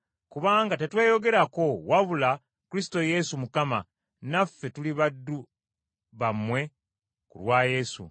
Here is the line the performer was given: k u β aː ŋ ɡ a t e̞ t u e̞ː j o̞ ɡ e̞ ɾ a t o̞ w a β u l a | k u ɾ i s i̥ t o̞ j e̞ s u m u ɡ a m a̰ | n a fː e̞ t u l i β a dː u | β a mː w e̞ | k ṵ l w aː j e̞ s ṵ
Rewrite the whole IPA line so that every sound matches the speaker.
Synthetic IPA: k u β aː ŋ ɡ a t e̞ t w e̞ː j o̞ ɡ e̞ ɾ a k o̞ w a β u l a | k u ɾ i s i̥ t o̞ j e̞ s u m u k a m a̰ | n a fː e̞ t u l i β a dː u | β a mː w e̞ | k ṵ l w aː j e̞ s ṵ